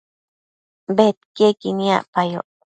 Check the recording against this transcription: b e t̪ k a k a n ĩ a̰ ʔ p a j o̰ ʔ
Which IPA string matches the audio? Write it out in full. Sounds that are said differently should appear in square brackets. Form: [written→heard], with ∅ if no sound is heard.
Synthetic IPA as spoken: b e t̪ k [a→e] k [a→i] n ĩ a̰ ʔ p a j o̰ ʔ